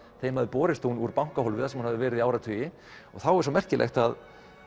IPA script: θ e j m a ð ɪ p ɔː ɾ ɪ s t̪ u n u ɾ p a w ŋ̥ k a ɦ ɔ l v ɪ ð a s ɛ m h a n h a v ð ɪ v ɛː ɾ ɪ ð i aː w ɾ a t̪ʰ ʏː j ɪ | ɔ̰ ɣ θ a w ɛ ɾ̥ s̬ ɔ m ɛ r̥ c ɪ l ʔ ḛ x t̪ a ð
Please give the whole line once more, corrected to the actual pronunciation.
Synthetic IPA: θ e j m a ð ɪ p ɔː ɾ ɪ s t̪ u n u ɾ p a w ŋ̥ k a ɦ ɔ l v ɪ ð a s ɛ m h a n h a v ð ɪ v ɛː ɾ ɪ ð i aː w ɾ a t̪ʰ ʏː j ɪ | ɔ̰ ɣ θ a w ɛ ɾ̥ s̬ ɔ m ɛ r̥ c ɪ l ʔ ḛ x t̪ a ð